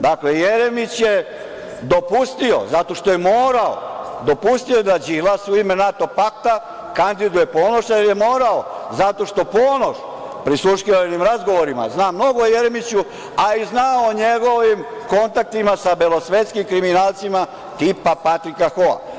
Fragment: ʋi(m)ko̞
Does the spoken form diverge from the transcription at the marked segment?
no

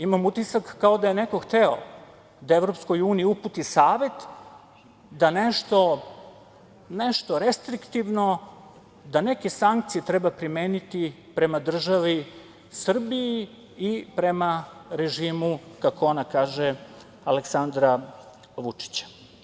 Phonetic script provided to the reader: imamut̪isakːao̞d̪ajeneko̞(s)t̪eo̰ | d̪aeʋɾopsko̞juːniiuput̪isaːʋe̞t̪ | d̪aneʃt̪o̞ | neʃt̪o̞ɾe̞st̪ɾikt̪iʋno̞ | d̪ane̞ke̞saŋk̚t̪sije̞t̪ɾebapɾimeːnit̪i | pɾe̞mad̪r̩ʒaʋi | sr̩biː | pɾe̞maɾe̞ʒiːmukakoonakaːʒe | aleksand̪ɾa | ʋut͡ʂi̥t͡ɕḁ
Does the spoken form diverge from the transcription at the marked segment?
yes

